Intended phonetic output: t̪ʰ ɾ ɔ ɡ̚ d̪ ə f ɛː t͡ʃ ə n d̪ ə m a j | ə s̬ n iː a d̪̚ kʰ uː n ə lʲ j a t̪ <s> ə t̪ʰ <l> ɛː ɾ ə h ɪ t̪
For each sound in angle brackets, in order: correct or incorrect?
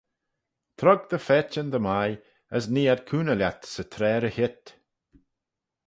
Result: correct, incorrect

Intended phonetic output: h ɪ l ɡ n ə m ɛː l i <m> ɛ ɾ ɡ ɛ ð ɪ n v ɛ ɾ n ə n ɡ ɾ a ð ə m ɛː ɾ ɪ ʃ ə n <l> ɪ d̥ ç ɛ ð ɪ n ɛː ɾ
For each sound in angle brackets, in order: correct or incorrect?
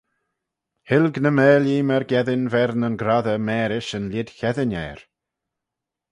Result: correct, correct

